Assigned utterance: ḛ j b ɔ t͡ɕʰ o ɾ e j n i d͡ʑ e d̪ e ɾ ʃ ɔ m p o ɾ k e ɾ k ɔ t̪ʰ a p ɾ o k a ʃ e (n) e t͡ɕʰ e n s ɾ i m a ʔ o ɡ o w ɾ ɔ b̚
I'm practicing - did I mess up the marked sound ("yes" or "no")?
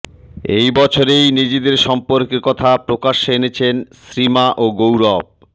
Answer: no